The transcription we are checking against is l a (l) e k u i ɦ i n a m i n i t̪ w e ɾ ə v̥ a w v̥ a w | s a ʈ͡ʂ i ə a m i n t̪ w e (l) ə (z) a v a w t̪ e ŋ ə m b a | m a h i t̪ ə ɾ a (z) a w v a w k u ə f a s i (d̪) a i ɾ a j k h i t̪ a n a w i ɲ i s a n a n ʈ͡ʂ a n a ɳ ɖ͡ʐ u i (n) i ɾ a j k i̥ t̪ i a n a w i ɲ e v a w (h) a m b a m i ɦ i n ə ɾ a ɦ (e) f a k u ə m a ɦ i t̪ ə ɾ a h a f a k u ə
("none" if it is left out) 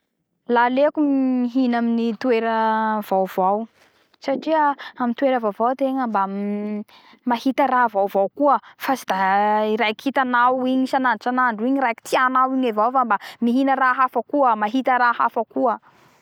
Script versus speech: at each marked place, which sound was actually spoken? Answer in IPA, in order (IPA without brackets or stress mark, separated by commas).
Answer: l, ɾ, v, v, d̪, ɲ, f, a